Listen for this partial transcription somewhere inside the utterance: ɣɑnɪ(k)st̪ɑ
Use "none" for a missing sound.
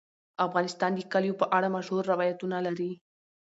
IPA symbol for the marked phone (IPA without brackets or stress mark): none